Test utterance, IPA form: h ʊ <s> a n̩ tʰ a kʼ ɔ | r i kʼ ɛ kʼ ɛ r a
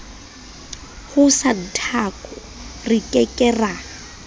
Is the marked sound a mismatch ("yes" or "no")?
no